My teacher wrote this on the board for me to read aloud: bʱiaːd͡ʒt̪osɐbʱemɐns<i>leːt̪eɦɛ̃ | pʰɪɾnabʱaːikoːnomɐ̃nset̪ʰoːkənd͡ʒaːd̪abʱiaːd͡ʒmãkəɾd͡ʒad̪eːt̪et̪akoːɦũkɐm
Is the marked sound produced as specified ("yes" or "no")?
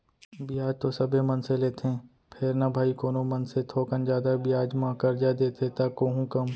no